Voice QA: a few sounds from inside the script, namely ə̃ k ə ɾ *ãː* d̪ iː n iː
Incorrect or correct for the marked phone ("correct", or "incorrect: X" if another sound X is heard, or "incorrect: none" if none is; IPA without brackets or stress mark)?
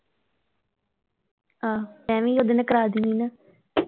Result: incorrect: aː